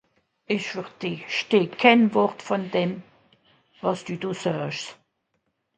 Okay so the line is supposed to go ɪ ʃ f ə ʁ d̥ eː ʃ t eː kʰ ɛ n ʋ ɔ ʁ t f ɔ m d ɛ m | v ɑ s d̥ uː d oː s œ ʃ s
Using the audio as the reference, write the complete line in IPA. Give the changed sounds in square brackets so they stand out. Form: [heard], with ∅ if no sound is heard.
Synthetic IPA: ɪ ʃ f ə ʁ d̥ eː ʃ t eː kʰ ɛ n [v] ɔ ʁ t f ɔ [n] d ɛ m | v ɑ s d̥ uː d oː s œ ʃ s